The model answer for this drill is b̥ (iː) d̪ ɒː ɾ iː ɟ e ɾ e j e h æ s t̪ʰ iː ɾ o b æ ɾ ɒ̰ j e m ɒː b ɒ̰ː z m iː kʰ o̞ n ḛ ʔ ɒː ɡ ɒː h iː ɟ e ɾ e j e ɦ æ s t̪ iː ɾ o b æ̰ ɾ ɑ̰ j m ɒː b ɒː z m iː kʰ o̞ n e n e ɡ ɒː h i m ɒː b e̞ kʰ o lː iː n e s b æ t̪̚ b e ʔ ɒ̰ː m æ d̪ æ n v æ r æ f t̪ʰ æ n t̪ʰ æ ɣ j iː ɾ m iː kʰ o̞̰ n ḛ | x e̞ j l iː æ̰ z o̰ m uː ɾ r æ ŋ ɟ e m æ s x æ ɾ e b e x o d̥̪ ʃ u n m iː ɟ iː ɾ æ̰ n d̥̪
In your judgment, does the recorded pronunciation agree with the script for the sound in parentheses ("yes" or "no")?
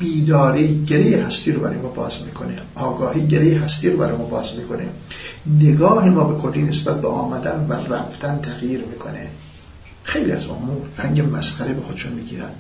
yes